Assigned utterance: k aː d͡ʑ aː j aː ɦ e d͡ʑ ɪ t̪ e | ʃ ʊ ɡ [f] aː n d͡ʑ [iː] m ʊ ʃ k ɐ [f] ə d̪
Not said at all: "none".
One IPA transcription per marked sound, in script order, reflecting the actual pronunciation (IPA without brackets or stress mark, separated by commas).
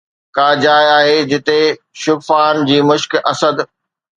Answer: f, iː, s